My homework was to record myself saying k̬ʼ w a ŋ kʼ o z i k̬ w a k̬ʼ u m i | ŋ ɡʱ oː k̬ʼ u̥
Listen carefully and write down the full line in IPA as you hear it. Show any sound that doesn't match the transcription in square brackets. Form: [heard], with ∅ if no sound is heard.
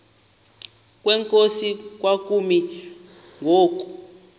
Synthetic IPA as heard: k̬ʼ w [ɛ] ŋ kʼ o [s] i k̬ w a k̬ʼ u m i | ŋ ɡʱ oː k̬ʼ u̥